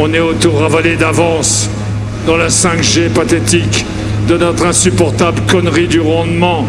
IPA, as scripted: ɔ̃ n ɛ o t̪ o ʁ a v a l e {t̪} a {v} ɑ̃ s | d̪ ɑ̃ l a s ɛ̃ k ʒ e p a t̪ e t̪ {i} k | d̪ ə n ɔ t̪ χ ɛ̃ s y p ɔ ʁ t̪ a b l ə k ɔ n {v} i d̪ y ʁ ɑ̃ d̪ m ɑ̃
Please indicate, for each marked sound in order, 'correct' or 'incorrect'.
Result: incorrect, correct, correct, incorrect

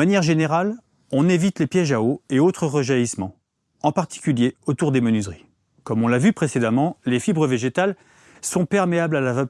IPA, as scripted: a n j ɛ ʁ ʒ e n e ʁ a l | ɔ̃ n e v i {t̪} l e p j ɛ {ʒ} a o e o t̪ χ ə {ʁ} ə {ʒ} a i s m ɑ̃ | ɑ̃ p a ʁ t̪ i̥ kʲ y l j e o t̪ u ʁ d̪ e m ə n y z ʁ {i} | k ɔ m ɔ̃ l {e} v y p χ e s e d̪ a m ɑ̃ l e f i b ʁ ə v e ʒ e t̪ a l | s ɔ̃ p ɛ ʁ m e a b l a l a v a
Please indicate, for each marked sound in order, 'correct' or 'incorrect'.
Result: correct, correct, correct, correct, correct, incorrect

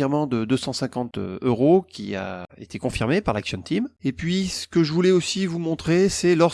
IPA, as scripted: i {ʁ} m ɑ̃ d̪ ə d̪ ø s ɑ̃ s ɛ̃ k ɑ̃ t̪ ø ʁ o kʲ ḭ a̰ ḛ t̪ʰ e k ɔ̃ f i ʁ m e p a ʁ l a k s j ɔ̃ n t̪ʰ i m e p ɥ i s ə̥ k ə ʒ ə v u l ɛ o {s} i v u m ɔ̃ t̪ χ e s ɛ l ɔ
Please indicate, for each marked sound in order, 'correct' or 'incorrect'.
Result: correct, correct

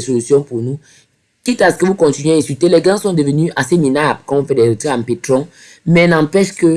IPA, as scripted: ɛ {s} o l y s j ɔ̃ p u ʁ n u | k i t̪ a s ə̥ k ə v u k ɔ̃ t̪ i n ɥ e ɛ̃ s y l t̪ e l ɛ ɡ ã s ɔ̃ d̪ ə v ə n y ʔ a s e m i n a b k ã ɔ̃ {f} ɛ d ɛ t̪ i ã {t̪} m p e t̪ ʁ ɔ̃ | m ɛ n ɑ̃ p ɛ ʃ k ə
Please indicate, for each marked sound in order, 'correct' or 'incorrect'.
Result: correct, correct, incorrect

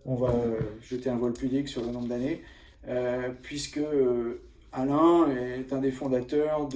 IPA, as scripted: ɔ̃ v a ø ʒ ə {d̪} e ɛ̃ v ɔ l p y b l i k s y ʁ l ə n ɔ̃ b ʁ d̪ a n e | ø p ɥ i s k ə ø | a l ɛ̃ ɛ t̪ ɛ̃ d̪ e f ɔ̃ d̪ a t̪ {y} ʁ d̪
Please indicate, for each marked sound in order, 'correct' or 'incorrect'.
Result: incorrect, incorrect

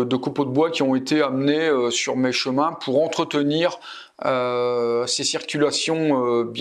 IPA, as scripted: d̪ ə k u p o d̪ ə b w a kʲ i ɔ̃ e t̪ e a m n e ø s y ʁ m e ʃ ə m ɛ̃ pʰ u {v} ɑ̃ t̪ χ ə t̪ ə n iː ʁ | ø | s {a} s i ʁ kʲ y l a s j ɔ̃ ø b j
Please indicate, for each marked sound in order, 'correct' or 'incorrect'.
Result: incorrect, incorrect

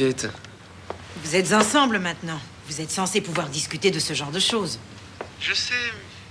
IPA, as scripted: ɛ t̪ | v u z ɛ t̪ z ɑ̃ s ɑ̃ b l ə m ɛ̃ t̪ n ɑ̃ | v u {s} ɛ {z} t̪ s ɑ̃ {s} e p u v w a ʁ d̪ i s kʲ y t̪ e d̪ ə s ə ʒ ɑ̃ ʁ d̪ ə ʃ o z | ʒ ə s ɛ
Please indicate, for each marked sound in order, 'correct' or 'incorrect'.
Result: incorrect, incorrect, correct

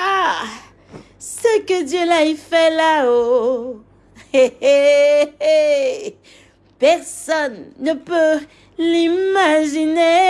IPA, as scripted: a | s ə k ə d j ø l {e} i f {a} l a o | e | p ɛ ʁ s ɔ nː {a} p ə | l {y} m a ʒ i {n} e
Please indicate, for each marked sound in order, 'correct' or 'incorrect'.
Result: incorrect, incorrect, incorrect, incorrect, correct

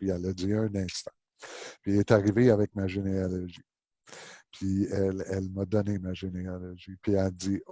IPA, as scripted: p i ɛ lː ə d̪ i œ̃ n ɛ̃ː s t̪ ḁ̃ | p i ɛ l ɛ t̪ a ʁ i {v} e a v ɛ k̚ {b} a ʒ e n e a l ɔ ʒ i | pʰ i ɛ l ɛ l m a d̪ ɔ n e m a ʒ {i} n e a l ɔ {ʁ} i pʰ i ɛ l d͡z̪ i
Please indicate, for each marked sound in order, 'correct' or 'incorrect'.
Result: correct, incorrect, incorrect, incorrect

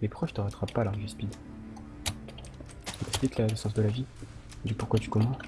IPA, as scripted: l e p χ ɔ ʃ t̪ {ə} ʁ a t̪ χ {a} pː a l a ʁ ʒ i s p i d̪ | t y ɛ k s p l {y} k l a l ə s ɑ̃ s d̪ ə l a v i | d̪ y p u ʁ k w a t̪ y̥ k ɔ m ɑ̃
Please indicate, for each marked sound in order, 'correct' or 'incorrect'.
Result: correct, correct, incorrect

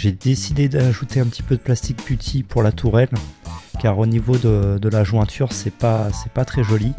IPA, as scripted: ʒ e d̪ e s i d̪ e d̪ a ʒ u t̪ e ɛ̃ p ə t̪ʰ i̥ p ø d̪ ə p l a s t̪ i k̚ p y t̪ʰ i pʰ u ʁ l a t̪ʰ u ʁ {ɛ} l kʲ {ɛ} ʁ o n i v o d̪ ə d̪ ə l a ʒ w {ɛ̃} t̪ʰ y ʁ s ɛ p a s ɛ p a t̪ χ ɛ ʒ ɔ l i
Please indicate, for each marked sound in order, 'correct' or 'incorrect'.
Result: correct, incorrect, correct

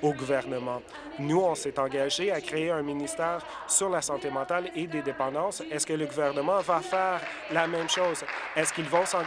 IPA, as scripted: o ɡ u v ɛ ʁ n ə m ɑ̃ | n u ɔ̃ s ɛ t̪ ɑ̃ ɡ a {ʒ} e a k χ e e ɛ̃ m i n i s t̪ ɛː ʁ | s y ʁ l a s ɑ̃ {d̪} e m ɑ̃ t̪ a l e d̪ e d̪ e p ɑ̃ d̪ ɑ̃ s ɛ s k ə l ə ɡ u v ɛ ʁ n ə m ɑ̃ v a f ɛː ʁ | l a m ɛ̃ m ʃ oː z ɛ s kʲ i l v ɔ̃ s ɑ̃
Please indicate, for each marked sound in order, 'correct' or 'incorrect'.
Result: correct, incorrect

